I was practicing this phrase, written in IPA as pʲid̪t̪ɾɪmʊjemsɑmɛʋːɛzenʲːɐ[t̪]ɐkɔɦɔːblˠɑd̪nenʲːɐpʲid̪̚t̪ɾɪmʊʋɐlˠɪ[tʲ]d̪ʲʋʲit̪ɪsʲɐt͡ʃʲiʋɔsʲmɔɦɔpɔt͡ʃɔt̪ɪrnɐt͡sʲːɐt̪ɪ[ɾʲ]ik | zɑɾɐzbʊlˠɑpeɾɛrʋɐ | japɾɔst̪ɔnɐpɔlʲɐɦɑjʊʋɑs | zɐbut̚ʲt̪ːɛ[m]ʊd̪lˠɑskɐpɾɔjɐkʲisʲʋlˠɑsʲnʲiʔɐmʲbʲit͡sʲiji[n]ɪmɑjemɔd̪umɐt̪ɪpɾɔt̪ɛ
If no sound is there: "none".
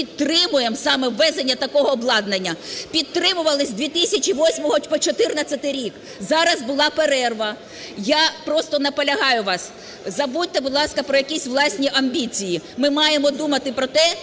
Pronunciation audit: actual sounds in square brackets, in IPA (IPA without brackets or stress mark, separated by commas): t̪, sʲ, ɾʲ, b, m